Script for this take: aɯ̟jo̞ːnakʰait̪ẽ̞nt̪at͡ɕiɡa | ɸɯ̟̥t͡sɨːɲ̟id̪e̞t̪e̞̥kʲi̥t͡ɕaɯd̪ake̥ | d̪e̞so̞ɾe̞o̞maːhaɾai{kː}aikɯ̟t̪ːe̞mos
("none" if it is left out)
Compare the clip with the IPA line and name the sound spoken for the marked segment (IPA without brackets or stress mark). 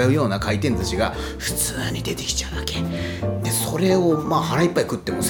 pː